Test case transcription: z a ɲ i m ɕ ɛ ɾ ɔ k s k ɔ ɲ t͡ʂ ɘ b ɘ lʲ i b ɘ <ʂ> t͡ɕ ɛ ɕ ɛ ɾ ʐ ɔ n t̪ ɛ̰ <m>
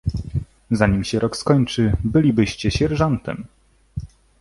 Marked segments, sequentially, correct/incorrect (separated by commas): incorrect, correct